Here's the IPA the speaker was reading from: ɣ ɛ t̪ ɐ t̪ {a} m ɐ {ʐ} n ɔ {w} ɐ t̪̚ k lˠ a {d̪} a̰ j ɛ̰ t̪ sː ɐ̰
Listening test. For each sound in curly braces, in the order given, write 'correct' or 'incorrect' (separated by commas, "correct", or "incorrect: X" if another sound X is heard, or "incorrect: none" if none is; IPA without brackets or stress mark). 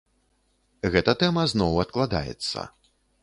incorrect: ɛ, incorrect: z, correct, correct